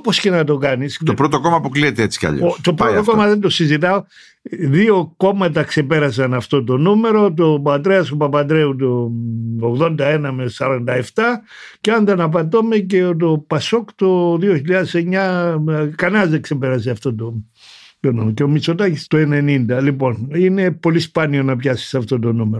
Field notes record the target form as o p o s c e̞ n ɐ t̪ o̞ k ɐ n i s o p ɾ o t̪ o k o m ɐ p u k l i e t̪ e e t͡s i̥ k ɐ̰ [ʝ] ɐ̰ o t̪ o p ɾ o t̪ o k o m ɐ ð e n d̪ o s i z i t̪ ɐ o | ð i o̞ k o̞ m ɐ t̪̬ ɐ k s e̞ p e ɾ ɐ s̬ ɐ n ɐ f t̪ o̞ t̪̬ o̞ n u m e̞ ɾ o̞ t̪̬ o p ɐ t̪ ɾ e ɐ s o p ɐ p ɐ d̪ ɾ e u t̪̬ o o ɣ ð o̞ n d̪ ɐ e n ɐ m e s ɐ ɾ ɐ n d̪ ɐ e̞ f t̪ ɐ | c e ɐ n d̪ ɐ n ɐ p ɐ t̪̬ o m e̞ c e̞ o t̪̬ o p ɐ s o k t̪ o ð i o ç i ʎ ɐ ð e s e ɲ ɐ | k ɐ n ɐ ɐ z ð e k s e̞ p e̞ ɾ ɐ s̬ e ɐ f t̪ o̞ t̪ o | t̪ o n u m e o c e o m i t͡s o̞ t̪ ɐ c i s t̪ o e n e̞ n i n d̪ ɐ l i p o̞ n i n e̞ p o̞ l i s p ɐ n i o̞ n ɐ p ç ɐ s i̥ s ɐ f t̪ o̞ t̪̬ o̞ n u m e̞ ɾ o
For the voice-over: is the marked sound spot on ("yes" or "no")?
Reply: no